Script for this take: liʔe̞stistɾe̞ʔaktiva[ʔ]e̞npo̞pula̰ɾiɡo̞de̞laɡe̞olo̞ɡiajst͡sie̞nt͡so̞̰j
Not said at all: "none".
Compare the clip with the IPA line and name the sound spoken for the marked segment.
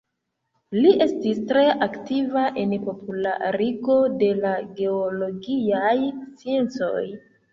ʔ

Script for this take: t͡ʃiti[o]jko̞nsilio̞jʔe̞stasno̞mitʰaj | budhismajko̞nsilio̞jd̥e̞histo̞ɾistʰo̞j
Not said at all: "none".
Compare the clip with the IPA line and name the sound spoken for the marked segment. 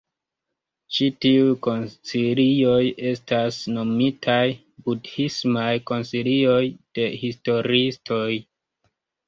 u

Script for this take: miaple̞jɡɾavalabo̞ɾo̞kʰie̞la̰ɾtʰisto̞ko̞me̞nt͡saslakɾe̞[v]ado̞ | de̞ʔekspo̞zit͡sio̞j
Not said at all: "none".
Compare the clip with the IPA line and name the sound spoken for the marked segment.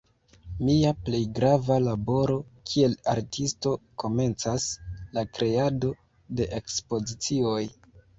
none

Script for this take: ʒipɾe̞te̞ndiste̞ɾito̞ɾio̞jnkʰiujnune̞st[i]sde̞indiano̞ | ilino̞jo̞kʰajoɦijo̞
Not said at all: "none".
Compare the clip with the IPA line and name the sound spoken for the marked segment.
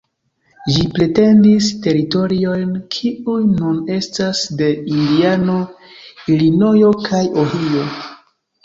a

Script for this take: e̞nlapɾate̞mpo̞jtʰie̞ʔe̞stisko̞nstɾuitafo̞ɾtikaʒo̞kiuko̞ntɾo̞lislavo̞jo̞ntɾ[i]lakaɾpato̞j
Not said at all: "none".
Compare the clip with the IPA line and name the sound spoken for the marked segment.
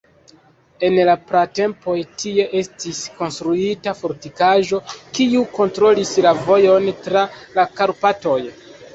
a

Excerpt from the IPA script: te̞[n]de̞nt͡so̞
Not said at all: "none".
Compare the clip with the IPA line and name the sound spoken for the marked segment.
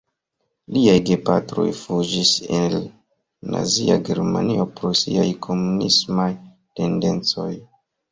n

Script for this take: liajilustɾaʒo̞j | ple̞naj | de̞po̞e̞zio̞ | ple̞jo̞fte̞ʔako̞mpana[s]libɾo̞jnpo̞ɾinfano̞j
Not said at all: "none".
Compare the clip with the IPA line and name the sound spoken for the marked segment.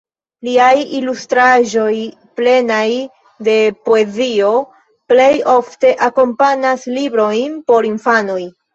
s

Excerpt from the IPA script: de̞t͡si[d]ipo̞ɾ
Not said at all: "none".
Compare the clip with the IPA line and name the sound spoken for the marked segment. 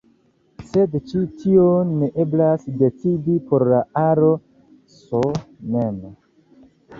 d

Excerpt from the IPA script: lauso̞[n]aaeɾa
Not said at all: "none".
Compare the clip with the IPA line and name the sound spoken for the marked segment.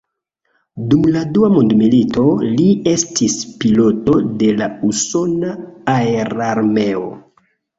n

